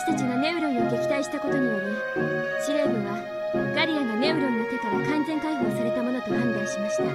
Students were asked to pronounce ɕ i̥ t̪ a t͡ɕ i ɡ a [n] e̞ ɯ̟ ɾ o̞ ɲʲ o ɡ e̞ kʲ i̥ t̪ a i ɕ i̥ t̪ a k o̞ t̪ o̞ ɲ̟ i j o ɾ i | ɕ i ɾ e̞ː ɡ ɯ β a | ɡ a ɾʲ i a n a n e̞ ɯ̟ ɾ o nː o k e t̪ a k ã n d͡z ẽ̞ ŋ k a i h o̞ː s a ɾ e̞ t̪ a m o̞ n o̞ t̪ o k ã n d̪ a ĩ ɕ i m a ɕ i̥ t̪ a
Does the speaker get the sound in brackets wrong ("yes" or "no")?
no